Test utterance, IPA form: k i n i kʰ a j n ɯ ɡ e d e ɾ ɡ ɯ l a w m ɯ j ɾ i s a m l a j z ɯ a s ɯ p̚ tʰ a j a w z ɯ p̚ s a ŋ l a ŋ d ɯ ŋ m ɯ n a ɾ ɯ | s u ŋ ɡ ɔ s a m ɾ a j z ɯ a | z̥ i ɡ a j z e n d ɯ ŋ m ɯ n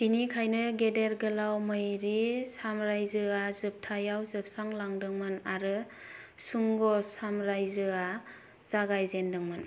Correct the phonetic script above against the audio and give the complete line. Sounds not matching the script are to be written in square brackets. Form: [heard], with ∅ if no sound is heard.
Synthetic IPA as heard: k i n i kʰ a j n ɯ ɡ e d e ɾ ɡ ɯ l a w m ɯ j ɾ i s a m [ɾ] a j z ɯ a [z] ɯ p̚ tʰ a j a w z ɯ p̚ s a ŋ l a ŋ d ɯ ŋ m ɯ n a ɾ ɯ | s u ŋ ɡ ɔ s a m ɾ a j z ɯ a | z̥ [a] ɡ a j z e n d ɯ ŋ m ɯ n